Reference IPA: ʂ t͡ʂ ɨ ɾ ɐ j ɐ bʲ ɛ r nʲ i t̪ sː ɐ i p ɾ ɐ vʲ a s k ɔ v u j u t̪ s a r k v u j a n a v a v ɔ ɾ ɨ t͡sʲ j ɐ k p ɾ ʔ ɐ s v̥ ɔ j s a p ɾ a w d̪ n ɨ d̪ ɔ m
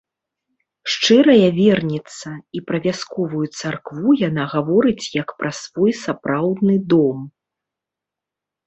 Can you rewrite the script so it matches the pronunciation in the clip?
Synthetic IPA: ʂ t͡ʂ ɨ ɾ ɐ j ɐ vʲ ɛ r nʲ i t̪ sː ɐ i p ɾ ɐ vʲ a s k ɔ v u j u t̪ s a r k v u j a n a ɣ a v ɔ ɾ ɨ t͡sʲ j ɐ k p ɾ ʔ ɐ s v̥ ɔ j s a p ɾ a w d̪ n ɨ d̪ ɔ m